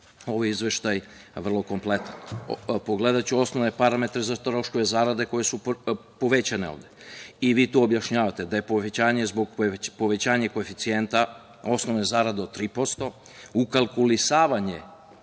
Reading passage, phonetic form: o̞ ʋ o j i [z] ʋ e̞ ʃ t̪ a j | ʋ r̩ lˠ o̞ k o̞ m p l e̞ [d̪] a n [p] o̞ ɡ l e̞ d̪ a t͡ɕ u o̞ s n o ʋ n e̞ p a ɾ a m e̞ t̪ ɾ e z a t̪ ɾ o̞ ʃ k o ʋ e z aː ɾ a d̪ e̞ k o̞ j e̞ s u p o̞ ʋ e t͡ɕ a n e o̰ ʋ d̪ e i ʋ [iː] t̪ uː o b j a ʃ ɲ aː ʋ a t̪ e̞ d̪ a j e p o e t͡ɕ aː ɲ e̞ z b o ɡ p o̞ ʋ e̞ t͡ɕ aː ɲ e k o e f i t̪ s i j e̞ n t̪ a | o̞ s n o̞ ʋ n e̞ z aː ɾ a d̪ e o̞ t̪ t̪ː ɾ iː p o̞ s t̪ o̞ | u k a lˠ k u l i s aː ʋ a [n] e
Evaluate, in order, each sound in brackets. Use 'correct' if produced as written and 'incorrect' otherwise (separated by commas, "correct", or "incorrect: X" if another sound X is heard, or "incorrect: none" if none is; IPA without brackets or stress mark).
correct, incorrect: t̪, correct, correct, incorrect: ɲ